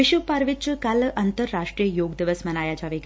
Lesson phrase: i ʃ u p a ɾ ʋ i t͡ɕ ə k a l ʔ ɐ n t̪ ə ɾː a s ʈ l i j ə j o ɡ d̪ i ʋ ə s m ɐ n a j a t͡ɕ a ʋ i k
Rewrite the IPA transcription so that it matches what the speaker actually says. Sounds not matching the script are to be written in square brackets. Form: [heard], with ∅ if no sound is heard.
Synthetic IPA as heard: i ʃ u p a ɾ ʋ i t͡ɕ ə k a l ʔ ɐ n t̪ ə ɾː a [ʂ] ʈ [ɾ] i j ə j o ɡ d̪ i ʋ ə s m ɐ n a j a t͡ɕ a ʋ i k